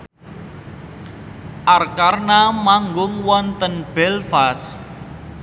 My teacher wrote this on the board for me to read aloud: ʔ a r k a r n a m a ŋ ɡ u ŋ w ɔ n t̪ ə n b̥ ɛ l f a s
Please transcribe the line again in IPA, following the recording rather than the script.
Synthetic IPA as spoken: ʔ a r k a r n a m a ŋ ɡ ʊ ŋ w ɔ n t̪ ə n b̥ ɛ l f a s